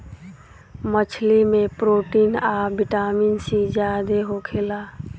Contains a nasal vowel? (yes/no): no